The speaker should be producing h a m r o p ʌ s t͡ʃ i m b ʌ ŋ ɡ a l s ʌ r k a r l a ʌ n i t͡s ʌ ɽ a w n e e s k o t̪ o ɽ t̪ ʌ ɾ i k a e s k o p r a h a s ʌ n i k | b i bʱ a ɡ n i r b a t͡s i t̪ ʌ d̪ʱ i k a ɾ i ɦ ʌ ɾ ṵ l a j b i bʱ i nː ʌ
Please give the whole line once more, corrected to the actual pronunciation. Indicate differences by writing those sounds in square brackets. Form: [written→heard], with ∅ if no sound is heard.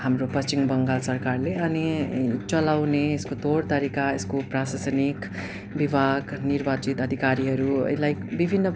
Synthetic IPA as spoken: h a m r o p ʌ s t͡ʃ i m b ʌ ŋ ɡ a l s ʌ r k a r l [a→e] ʌ n i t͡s ʌ [ɽ→l] a w n e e s k o t̪ o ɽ t̪ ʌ ɾ i k a e s k o p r a [h→s] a s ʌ n i k | b i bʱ a ɡ n i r b a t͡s i t̪ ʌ d̪ʱ i k a ɾ i ɦ ʌ ɾ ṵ l a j b i bʱ i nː ʌ